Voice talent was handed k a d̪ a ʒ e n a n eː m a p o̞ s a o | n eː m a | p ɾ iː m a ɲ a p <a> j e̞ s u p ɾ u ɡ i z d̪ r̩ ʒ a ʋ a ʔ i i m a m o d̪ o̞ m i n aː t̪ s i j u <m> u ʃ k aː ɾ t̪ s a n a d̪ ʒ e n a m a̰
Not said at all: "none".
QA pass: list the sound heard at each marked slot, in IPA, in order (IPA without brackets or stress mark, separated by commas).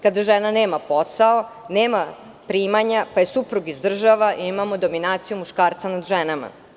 a, m